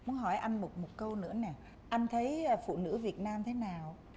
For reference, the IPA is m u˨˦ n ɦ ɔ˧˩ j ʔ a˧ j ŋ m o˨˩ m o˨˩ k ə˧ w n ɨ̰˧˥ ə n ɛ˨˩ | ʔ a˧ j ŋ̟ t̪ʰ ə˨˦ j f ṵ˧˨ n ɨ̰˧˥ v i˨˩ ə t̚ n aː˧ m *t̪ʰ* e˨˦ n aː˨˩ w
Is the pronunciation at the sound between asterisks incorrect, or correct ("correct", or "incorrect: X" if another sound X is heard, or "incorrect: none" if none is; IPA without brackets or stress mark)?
correct